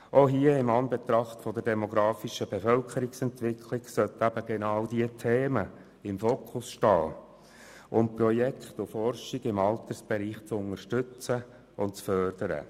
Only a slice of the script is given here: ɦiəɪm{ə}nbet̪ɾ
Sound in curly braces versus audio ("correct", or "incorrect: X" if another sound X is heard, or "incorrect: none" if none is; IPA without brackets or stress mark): incorrect: ɑ